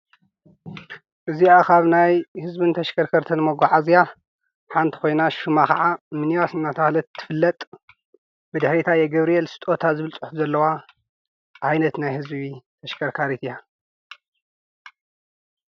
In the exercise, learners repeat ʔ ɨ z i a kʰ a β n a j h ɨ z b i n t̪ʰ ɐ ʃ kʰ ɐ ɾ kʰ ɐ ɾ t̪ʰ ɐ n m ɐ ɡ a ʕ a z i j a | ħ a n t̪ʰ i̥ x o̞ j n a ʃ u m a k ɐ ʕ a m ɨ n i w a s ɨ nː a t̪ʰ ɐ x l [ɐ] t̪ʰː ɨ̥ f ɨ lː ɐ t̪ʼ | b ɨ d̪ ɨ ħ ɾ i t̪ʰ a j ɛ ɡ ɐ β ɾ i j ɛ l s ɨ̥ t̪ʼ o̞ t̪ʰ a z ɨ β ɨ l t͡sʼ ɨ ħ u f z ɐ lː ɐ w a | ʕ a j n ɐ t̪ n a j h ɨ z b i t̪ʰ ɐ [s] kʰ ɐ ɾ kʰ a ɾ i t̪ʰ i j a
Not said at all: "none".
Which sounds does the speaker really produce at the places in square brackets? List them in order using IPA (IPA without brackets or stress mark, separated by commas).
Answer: ɐ, ʃ